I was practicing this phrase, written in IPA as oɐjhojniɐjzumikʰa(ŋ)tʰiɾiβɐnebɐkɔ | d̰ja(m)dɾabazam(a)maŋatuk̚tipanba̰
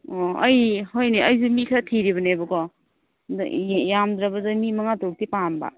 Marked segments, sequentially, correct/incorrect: incorrect: none, correct, incorrect: i

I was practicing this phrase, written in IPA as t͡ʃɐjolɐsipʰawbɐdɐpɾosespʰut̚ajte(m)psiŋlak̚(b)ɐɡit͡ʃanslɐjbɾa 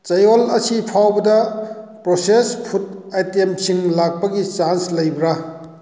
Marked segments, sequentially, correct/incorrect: correct, incorrect: p

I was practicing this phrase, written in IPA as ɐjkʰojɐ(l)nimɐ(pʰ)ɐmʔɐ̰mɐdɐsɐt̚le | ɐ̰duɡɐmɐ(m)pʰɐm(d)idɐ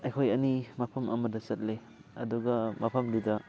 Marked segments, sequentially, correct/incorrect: incorrect: none, correct, incorrect: none, correct

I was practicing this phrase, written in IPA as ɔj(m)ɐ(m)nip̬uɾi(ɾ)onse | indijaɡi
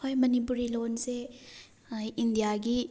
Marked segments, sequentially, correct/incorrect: correct, incorrect: none, incorrect: l

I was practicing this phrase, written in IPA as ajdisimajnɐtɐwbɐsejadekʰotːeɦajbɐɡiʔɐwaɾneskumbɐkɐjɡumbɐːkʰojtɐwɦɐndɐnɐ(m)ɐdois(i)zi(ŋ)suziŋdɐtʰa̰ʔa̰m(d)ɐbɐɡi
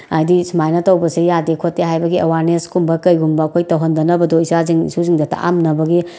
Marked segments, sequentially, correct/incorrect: incorrect: b, incorrect: a, correct, incorrect: n

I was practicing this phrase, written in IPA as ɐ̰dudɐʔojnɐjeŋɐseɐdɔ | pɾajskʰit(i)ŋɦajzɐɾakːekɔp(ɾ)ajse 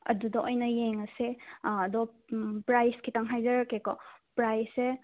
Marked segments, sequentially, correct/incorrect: incorrect: a, correct

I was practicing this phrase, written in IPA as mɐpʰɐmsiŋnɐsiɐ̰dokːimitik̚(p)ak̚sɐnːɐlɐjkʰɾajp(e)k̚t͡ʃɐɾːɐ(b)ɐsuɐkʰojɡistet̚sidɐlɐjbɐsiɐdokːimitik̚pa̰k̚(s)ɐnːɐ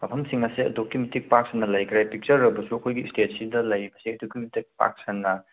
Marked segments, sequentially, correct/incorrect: correct, incorrect: i, correct, correct

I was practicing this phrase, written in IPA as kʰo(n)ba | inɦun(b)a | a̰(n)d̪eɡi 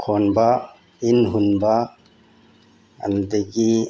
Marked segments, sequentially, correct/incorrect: correct, correct, correct

